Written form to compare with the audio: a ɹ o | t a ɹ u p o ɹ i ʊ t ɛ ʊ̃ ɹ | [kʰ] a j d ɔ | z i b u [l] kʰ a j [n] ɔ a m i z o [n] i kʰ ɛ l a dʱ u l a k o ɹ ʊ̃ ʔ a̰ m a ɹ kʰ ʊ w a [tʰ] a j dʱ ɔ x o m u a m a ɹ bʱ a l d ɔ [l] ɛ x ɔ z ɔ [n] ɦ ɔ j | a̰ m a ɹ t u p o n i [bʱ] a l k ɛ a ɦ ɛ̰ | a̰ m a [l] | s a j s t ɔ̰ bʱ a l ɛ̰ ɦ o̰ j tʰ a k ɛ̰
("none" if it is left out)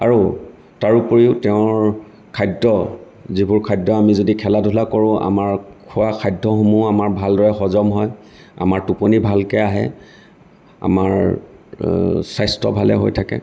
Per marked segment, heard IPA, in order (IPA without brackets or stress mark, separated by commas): kʰ, ɹ, d, d, kʰ, ɹ, m, bʱ, ɹ